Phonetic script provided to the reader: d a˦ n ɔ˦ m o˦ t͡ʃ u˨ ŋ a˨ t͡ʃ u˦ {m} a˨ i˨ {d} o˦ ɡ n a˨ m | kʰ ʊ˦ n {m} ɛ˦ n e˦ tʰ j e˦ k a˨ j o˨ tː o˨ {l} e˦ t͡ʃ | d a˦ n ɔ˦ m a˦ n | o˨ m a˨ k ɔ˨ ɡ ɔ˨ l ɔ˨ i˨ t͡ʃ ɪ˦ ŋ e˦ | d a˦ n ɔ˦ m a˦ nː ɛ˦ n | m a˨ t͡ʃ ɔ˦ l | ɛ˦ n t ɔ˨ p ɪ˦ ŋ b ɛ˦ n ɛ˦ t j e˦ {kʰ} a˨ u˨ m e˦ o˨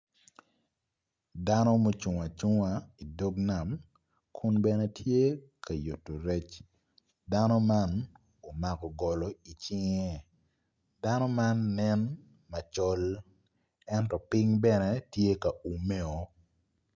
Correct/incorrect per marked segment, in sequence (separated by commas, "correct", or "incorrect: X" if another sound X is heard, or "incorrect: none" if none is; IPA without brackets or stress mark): incorrect: ŋ, correct, incorrect: b, incorrect: ɾ, incorrect: k